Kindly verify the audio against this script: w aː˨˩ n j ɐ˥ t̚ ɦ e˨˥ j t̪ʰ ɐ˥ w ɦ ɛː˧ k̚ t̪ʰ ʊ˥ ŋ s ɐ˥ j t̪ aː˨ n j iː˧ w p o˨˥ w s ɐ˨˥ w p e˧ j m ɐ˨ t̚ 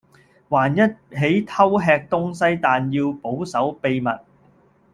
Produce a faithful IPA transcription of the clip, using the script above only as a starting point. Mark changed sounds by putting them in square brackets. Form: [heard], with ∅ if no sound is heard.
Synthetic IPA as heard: w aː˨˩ n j ɐ˥ t̚ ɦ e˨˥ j t̪ʰ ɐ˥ w ɦ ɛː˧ k̚ [t̪] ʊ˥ ŋ s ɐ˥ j t̪ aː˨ n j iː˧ w p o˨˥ w s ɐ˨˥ w p e˧ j m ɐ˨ t̚